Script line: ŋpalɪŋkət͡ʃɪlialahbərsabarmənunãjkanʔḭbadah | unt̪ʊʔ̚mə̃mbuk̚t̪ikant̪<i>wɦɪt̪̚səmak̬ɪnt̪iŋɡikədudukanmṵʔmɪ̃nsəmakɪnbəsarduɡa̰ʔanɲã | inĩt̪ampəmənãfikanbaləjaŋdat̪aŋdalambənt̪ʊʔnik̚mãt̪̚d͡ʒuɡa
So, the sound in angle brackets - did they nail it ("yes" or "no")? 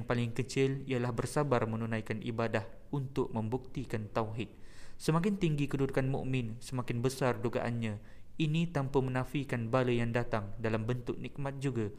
no